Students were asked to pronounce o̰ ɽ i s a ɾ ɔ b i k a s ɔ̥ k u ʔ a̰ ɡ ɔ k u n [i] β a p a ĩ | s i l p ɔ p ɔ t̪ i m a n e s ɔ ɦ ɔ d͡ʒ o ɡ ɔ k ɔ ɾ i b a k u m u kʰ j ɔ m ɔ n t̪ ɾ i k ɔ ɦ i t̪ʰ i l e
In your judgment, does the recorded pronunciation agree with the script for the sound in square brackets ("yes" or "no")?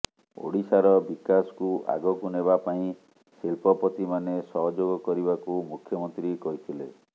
no